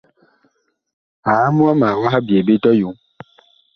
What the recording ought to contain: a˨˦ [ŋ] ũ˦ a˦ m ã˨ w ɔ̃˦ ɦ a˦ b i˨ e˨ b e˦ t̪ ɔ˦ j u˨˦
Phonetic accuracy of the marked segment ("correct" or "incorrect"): incorrect